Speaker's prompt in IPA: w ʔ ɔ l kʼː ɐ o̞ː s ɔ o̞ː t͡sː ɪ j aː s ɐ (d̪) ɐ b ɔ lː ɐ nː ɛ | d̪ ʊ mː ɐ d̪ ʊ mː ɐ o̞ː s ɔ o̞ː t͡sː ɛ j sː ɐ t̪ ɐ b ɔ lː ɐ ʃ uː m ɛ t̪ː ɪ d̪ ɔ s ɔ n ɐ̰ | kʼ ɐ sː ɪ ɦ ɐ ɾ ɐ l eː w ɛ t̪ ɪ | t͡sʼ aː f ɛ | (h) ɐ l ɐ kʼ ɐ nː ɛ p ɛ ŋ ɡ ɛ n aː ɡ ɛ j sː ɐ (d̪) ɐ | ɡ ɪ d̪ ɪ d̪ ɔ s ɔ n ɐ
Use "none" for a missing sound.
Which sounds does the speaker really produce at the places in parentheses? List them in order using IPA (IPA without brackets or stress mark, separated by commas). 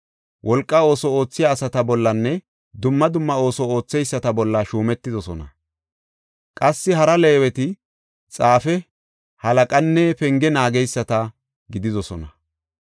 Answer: t̪, h, t̪